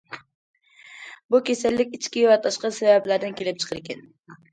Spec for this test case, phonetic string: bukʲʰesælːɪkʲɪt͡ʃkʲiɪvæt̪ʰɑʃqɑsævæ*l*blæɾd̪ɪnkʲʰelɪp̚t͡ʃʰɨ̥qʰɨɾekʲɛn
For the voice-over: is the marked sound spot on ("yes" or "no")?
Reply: no